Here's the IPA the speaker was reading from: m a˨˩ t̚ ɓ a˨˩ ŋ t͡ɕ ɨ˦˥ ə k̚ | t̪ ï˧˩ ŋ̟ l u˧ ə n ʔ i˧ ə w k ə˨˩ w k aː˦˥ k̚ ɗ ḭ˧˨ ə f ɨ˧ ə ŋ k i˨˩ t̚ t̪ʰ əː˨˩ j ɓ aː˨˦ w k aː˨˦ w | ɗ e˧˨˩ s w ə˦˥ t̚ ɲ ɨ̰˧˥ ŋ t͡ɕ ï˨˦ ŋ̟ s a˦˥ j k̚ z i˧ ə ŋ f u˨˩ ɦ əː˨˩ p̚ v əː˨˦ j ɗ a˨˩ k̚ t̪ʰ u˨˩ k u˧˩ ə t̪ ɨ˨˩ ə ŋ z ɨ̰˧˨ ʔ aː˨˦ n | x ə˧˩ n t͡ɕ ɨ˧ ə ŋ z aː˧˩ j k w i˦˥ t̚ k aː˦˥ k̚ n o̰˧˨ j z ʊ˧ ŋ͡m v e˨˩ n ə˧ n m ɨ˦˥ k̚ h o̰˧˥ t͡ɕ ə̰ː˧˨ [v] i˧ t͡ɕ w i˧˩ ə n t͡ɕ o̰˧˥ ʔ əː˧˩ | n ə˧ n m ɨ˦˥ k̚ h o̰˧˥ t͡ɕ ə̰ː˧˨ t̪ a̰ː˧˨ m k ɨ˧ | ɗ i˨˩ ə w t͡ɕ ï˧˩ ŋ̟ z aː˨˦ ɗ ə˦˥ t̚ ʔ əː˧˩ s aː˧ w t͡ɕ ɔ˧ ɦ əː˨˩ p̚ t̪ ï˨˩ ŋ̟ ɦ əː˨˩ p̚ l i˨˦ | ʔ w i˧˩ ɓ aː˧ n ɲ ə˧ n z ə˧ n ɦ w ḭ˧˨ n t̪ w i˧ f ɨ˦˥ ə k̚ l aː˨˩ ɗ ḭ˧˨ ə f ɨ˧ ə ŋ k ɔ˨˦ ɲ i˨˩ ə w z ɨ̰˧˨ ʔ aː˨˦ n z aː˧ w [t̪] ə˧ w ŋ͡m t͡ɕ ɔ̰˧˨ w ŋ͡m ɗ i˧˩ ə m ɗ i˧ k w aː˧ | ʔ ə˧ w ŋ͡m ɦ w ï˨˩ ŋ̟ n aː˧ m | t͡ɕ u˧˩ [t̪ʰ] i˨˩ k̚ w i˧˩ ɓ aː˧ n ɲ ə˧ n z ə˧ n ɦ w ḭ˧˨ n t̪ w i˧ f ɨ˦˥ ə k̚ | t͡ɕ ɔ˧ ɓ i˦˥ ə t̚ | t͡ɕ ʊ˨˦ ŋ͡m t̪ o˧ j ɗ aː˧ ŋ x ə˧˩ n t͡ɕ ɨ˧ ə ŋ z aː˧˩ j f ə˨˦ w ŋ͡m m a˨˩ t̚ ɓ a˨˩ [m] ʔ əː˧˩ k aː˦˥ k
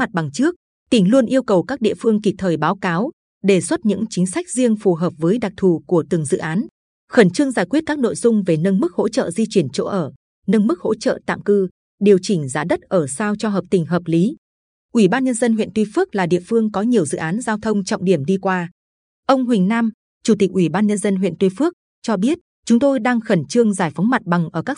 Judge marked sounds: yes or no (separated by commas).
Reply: no, no, no, no